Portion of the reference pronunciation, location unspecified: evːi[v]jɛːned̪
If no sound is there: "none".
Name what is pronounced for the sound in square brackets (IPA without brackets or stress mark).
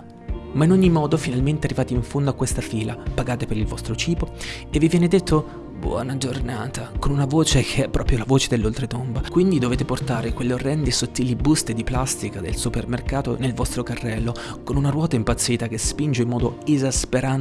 v